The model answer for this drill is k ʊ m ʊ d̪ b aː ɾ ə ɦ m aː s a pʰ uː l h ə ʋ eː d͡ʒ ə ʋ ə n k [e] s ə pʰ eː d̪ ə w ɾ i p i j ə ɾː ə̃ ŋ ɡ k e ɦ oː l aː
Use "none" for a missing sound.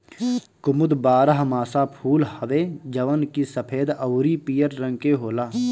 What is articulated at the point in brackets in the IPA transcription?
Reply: i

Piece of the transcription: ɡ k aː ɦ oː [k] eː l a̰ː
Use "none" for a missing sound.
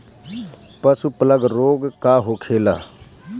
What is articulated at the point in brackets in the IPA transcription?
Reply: kʰ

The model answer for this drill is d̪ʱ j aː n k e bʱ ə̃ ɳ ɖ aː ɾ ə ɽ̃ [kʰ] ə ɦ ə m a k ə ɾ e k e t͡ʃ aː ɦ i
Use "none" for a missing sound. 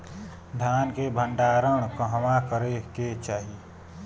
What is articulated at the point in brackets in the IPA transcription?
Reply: k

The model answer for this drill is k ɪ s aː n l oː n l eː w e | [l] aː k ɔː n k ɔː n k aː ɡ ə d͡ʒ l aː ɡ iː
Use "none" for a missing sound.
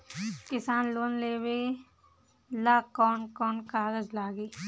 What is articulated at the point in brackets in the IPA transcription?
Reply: l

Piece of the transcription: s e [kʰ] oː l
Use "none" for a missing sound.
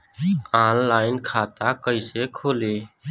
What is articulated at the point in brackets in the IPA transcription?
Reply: kʰ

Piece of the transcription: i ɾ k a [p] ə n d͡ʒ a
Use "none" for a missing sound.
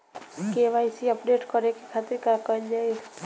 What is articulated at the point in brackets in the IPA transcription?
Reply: k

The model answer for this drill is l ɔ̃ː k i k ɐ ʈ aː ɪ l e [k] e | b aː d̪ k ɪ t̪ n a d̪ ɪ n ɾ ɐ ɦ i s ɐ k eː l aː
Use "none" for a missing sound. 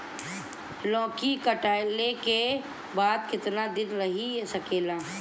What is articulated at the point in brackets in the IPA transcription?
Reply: k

